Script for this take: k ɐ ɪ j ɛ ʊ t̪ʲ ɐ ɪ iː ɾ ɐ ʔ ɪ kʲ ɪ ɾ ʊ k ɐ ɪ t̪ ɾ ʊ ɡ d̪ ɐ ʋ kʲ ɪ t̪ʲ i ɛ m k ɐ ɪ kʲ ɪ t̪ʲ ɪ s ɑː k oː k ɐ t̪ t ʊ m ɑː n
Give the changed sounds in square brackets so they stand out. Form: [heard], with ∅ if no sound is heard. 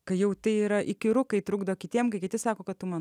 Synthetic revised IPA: k ɐ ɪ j ɛ ʊ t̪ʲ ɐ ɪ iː ɾ ɐ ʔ ɪ kʲ ɪ ɾ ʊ k ɐ ɪ t̪ ɾ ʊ ɡ d̪ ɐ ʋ kʲ ɪ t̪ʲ i ɛ m k ɐ ɪ kʲ ɪ t̪ʲ ɪ s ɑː k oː k ɐ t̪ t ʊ m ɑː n